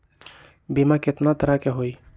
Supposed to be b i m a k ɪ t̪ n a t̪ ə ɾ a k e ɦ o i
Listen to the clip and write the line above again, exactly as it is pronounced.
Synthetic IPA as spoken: b i m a k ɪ t̪ n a t̪ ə ɾ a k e ɦ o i